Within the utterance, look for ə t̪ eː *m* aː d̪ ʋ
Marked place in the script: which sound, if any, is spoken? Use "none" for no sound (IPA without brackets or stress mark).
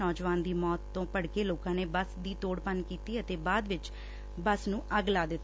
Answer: b